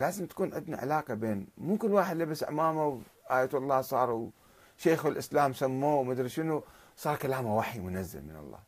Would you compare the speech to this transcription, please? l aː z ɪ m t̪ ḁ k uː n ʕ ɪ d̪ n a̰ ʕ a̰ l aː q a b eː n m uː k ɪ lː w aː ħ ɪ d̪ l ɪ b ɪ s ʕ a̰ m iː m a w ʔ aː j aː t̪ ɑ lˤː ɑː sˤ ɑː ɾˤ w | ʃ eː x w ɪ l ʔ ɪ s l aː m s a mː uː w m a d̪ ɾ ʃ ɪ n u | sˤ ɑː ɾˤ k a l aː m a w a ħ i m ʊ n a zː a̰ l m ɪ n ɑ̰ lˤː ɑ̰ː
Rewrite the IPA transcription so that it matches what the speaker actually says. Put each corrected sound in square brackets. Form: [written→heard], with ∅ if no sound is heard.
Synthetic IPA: l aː z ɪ m t̪ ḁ k uː n ʕ ɪ d̪ n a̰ ʕ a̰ l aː q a b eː n m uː k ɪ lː w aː ħ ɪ d̪ l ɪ b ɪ s ʕ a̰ m [iː→aː] m a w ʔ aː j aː t̪ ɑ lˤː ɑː sˤ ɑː ɾˤ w | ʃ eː x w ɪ l ʔ ɪ s l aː m s a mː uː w m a d̪ ɾ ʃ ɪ n u | sˤ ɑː ɾˤ k a l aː m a w a ħ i m ʊ n a zː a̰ l m ɪ n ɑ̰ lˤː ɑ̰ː